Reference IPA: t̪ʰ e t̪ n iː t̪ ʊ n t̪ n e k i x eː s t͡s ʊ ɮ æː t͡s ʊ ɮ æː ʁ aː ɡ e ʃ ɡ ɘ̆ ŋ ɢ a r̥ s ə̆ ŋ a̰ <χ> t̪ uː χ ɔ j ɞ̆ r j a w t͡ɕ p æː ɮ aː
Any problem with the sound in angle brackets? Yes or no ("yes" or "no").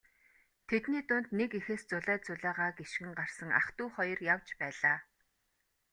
no